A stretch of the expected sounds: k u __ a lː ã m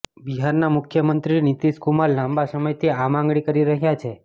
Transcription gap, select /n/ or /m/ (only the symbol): m